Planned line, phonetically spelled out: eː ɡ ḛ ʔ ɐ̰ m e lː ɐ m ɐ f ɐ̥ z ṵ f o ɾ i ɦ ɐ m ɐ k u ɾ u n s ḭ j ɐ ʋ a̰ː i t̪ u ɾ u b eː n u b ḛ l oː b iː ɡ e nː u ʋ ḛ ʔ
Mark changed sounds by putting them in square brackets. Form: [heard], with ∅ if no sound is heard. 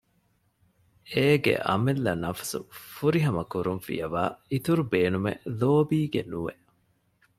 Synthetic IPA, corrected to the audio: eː ɡ ḛ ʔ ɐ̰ m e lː ɐ [n] ɐ f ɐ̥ [s] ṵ f [u] ɾ i ɦ ɐ m ɐ k u ɾ u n [f] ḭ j ɐ ʋ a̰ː i t̪ u ɾ u b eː n u [m] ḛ l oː b iː ɡ e [n] u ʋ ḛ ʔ